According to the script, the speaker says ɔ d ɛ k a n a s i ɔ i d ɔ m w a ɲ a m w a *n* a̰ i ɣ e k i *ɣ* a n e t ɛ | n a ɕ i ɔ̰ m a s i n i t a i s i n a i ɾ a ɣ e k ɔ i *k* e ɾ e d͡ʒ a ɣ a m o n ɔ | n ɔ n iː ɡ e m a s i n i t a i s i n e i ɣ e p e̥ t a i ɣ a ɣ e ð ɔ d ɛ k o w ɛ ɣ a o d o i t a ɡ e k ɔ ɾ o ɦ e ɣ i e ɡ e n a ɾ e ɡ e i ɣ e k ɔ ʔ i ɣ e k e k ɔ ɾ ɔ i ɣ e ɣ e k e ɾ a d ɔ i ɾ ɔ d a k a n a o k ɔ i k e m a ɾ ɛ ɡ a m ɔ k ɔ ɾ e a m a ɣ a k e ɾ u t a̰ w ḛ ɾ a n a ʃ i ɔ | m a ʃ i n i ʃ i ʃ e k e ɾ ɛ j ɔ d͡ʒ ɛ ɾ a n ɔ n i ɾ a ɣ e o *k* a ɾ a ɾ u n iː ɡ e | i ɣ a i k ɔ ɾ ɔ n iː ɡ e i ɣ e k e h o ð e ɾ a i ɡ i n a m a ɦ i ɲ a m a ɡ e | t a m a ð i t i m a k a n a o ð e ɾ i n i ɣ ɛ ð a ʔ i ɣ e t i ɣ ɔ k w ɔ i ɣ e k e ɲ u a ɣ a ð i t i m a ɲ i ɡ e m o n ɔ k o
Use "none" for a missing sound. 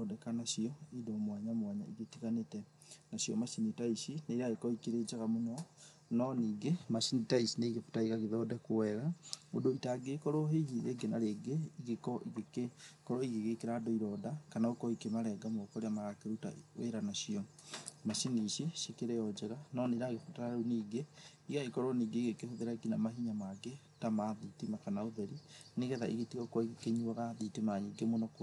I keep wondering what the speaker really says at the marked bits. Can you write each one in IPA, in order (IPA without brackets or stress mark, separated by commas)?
ɲ, ɣ, k, t